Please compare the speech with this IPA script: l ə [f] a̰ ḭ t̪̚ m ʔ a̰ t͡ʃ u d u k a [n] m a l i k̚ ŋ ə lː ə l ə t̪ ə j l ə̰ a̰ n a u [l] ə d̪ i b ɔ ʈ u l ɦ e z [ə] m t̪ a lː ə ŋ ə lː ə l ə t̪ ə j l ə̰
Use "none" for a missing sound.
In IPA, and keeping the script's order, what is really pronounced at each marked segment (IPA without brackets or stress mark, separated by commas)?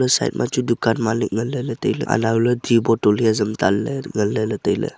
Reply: s, n, l, ə